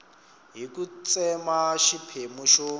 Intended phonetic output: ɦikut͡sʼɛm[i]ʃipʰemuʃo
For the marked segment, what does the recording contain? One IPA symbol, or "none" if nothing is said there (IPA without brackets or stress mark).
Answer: a